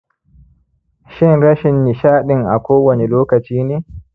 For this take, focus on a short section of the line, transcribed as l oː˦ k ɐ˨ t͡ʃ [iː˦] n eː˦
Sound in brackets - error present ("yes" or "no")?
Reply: no